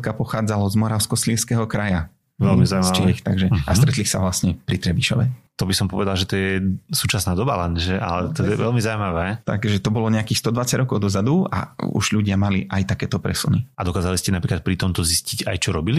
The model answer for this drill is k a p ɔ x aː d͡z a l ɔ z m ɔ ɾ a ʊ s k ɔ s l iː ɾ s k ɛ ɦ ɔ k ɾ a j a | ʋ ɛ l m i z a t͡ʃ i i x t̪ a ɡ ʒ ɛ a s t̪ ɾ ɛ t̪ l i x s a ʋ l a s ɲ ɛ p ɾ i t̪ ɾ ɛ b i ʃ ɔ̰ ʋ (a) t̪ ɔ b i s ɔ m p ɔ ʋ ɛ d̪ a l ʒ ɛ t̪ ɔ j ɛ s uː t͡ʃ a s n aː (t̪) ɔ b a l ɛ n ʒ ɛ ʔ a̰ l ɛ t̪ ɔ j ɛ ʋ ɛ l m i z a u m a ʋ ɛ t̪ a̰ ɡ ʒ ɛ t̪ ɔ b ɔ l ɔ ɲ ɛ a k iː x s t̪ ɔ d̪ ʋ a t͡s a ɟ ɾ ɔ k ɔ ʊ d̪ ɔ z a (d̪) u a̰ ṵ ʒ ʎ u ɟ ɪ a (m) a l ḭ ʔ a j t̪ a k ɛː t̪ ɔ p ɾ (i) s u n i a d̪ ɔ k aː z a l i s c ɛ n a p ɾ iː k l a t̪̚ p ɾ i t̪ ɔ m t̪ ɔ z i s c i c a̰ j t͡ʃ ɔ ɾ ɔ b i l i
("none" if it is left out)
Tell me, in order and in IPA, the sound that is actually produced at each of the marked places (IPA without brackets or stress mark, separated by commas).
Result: ɛ, d̪, d̪, m, ɛ